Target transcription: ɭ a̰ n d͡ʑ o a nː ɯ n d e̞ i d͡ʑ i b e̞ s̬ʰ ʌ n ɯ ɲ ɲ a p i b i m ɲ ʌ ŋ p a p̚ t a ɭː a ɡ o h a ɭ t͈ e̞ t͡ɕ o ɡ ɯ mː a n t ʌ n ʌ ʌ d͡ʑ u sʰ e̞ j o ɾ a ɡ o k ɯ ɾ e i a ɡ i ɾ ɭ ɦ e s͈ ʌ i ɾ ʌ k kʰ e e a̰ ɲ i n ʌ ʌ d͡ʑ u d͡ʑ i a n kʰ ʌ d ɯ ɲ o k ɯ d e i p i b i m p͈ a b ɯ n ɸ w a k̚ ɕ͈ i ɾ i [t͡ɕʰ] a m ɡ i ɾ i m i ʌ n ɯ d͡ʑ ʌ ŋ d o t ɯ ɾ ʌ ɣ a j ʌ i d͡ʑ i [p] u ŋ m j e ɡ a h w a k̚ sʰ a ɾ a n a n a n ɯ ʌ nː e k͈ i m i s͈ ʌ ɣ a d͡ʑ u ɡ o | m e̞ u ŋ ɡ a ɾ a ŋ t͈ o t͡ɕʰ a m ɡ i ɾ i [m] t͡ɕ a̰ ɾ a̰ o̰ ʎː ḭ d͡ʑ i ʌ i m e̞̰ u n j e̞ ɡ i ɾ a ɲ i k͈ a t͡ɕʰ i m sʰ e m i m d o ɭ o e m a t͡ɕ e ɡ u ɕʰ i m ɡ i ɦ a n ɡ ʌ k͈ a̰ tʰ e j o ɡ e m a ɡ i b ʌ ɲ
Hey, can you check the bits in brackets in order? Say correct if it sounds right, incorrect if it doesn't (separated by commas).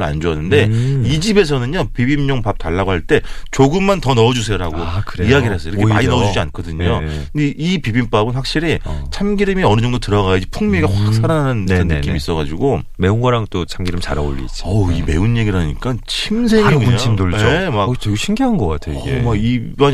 correct, incorrect, correct